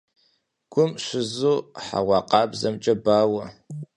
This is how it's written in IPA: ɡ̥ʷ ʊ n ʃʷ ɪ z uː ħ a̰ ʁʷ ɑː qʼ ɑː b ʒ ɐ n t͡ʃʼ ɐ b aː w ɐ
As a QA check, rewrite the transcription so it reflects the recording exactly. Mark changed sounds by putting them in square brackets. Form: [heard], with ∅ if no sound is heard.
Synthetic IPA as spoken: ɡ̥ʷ ʊ [m] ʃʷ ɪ z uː ħ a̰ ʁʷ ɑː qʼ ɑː b [z] ɐ [m] t͡ʃʼ ɐ b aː w ɐ